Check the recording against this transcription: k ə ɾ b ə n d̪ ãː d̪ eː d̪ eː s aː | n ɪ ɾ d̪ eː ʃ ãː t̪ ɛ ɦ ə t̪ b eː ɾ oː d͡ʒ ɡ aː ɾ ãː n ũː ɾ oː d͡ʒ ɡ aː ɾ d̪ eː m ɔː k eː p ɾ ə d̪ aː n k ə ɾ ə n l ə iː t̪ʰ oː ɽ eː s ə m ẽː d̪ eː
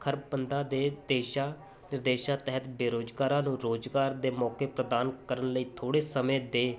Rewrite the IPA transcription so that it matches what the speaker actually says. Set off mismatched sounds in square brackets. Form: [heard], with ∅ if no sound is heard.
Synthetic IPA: [kʰ] ə ɾ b ə n d̪ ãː d̪ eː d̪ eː [ʃ] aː | n ɪ ɾ d̪ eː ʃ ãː t̪ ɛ ɦ ə t̪ b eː ɾ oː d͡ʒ ɡ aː ɾ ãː n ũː ɾ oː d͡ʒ ɡ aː ɾ d̪ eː m ɔː k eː p ɾ ə d̪ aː n k ə ɾ ə n l ə iː t̪ʰ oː ɽ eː s ə m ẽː d̪ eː